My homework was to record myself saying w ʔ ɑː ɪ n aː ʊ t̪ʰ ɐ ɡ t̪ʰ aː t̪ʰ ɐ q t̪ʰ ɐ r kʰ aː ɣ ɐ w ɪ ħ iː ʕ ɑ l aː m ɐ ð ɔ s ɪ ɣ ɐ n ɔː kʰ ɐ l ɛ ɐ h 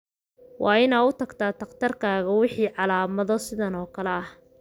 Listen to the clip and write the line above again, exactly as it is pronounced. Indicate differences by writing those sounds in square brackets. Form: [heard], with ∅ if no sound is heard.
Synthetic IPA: w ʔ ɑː ɪ n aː ʊ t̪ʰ ɐ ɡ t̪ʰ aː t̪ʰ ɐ q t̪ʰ ɐ r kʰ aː ɣ ɐ w ɪ ħ iː ʕ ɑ l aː m ɐ ð ɔ s ɪ [ð] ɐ n ɔː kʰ ɐ l ɛ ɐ h